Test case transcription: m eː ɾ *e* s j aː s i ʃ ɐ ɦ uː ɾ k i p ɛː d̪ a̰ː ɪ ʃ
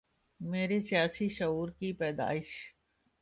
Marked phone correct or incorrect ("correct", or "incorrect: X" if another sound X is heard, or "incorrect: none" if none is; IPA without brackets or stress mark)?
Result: correct